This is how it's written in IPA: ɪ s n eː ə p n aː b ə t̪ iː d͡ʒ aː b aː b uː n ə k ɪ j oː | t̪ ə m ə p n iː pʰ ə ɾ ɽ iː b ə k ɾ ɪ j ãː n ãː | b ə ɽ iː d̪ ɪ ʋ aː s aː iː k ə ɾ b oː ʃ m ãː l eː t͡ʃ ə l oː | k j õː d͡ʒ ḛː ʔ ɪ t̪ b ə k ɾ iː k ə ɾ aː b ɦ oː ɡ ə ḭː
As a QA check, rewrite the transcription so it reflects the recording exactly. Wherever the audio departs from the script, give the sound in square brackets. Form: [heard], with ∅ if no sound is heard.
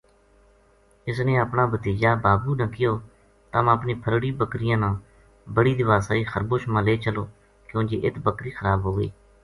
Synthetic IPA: ɪ s n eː ə p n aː b ə t̪ iː d͡ʒ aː b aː b uː n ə k ɪ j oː | t̪ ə m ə p n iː pʰ ə ɾ ɽ iː b ə k ɾ ɪ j ãː n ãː | b ə ɽ iː d̪ ɪ ʋ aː s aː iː [x] ə ɾ b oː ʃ m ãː l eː t͡ʃ ə l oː | k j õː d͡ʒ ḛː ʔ ɪ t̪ b ə k ɾ iː [x] ə ɾ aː b ɦ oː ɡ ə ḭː